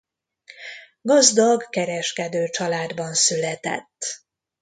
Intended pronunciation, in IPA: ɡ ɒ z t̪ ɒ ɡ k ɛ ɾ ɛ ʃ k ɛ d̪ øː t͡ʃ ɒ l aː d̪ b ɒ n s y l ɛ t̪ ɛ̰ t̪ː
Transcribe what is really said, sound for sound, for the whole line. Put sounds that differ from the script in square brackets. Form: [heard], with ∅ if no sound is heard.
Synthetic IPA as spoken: ɡ ɒ z [d̪] ɒ ɡ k ɛ ɾ ɛ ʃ k ɛ d̪ øː t͡ʃ ɒ l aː d̪ b ɒ n s y l ɛ t̪ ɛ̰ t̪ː

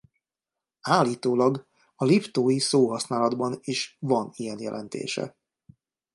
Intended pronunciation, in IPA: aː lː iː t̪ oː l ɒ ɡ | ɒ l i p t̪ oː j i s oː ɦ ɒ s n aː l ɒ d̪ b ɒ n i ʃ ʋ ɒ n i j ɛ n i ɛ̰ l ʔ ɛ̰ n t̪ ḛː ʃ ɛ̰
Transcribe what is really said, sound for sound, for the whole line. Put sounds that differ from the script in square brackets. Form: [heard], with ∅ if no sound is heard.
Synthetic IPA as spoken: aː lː iː t̪ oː l ɒ ɡ | ɒ l i p t̪ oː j i s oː ɦ ɒ s n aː l ɒ d̪ b ɒ n i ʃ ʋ ɒ n i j ɛ n [j] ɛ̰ l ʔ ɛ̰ n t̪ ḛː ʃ ɛ̰

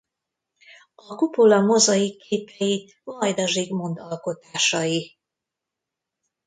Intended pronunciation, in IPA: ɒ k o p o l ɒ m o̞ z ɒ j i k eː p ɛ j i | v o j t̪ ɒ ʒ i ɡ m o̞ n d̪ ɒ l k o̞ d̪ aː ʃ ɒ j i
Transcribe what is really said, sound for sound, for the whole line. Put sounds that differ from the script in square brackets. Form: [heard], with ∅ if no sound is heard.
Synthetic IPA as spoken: ɒ k [u] p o l ɒ m o̞ z ɒ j i k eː p ɛ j i | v [ɒ] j [d̪] ɒ ʒ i ɡ m o̞ n d̪ ɒ l k o̞ [t̪] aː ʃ ɒ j i

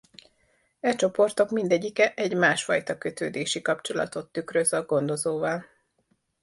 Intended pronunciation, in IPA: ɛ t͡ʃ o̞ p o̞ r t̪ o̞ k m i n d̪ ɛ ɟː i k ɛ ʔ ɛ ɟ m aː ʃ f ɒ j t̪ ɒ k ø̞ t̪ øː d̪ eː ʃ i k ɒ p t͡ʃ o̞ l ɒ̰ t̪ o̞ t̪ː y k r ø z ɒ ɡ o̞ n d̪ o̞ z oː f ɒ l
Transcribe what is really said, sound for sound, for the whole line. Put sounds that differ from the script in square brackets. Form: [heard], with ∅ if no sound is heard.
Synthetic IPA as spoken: ɛ t͡ʃ o̞ p o̞ r t̪ o̞ k m i n d̪ ɛ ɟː i k ɛ ʔ ɛ ɟ m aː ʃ f ɒ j t̪ ɒ k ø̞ t̪ øː d̪ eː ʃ i k ɒ p t͡ʃ o̞ l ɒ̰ t̪ o̞ t̪ː y k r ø z ɒ ɡ o̞ n d̪ o̞ z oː [v] ɒ l

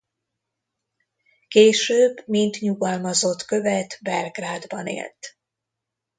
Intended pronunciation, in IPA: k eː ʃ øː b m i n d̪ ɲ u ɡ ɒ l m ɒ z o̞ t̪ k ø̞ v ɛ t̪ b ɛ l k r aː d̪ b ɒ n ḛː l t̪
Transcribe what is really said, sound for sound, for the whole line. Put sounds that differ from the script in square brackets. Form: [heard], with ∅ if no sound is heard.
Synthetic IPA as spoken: k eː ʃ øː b m i n [t̪] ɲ u ɡ ɒ l m ɒ z o̞ t̪ k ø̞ v ɛ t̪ b ɛ l [ɡ] r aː d̪ b ɒ n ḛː l t̪

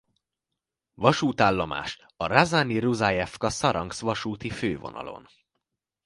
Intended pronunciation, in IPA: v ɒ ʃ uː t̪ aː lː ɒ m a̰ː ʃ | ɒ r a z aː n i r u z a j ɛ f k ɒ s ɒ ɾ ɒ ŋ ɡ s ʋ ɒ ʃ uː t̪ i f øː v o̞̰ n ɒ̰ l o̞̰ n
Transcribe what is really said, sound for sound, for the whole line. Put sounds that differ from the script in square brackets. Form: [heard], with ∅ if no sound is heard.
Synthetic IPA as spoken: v ɒ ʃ uː t̪ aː lː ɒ m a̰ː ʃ | ɒ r a z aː n i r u z a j ɛ f k ɒ s ɒ ɾ ɒ ŋ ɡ s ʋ ɒ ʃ uː t̪ i f øː v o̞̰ n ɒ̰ l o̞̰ n

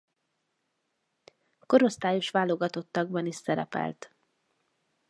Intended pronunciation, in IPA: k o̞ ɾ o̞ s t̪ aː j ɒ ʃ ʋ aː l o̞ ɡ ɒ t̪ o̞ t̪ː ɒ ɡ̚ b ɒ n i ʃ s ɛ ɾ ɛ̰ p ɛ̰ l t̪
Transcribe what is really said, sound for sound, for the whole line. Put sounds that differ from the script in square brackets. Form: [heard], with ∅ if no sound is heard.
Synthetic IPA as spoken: k o̞ ɾ o̞ s t̪ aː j [o] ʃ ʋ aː l o̞ ɡ ɒ t̪ o̞ t̪ː ɒ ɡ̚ b ɒ n i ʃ s ɛ ɾ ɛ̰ p ɛ̰ l t̪

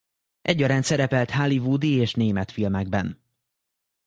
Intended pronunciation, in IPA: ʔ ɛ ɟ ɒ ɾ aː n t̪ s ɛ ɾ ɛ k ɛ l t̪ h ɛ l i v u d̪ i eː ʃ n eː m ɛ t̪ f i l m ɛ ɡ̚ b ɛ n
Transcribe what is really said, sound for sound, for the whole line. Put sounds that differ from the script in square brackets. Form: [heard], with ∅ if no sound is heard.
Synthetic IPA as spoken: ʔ ɛ [ɟː] ɒ ɾ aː n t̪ s ɛ ɾ ɛ [p] ɛ l t̪ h [a] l i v u d̪ i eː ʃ n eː m ɛ t̪ f i l m ɛ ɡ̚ b ɛ n

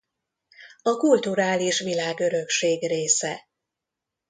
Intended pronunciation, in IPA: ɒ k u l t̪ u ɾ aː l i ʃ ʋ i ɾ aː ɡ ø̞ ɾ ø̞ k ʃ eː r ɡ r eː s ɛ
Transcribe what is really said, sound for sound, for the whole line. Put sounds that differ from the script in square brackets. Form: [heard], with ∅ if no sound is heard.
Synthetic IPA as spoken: ɒ k u l t̪ u ɾ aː l i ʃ ʋ i [l] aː ɡ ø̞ ɾ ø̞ k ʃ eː [∅] ɡ r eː s ɛ

